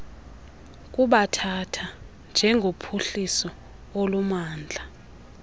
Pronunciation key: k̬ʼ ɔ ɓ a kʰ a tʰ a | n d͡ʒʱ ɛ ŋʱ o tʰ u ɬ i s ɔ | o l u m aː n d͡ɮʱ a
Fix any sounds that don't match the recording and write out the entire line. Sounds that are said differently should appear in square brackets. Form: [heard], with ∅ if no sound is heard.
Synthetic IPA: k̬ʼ [u] ɓ a [tʰ] a tʰ a | n d͡ʒʱ ɛ ŋʱ o [pʰ] u ɬ i s ɔ | o l u m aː n d͡ɮʱ a